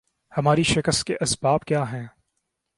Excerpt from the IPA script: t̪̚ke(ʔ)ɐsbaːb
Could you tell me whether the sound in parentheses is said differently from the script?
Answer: no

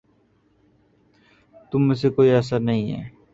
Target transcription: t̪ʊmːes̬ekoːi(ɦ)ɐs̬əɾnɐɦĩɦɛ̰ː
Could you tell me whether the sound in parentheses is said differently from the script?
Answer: yes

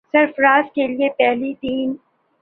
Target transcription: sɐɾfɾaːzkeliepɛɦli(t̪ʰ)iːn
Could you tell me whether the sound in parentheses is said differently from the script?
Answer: yes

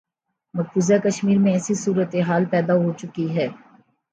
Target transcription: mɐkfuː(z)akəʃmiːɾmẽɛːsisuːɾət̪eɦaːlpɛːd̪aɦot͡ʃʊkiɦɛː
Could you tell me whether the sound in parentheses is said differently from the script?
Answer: no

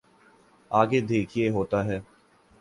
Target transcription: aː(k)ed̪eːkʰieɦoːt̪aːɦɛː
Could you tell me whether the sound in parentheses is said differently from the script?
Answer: yes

